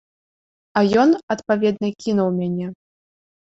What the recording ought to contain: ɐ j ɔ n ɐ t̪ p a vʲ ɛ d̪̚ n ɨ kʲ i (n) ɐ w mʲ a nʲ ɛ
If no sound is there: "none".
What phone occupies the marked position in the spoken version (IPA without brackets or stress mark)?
n